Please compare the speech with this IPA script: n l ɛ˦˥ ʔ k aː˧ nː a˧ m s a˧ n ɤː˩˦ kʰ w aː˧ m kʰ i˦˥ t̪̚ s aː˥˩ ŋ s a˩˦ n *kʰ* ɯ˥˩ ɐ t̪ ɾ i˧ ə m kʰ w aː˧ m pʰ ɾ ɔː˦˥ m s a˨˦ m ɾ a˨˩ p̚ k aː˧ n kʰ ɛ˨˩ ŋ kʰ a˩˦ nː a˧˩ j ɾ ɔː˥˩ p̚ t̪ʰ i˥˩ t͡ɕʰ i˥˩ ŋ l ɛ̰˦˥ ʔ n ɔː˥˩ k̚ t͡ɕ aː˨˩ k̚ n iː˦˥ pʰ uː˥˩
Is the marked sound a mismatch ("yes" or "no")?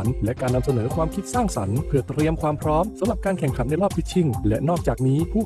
yes